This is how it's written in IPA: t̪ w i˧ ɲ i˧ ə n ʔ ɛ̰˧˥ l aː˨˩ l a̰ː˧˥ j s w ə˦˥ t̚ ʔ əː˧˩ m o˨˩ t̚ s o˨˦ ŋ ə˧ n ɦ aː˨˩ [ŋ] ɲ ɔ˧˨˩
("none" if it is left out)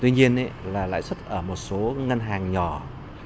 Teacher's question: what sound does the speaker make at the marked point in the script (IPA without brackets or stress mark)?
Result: ŋ